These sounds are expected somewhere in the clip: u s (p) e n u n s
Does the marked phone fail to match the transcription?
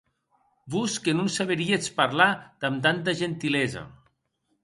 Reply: yes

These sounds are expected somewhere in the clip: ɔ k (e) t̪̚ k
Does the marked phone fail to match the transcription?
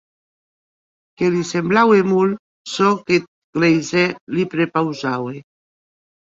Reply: no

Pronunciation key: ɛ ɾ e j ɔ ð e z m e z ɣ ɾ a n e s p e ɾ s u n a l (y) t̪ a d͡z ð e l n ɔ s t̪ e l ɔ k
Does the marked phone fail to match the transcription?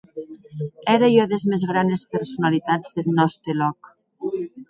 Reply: yes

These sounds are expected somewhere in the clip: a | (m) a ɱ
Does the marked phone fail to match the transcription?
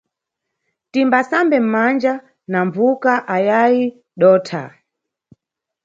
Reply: yes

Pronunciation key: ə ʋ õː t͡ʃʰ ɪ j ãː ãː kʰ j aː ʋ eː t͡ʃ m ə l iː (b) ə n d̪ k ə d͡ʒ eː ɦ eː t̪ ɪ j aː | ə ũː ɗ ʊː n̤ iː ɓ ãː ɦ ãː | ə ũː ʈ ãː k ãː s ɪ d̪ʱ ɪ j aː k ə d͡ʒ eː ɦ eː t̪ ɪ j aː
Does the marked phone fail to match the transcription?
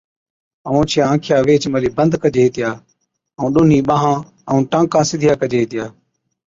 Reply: no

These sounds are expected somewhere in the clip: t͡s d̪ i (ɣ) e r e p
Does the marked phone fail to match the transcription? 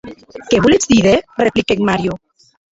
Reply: yes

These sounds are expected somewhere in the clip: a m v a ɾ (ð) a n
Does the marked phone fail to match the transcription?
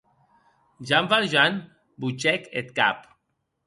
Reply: yes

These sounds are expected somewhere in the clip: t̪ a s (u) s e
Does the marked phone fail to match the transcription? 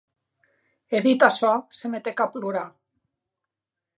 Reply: yes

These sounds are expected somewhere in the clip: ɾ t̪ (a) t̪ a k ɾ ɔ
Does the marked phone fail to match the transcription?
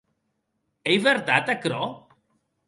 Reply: no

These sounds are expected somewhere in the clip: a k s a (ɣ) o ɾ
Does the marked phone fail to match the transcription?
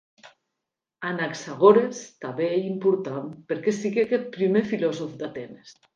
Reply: no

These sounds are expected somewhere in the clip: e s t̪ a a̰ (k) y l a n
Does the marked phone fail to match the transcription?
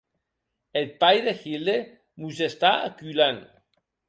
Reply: no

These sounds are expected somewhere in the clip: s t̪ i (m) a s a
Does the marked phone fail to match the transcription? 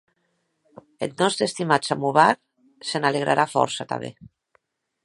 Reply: no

